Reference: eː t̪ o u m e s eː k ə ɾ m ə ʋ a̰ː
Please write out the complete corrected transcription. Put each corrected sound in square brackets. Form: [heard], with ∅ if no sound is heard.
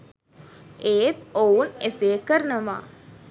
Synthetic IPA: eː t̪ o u [n] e s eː k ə ɾ [n] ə ʋ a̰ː